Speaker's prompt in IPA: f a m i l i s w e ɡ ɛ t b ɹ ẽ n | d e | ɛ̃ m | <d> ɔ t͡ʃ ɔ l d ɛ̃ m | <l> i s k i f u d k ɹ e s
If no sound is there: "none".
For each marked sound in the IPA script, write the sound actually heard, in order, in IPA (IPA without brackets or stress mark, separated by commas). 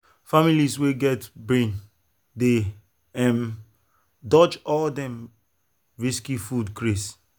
d, ɹ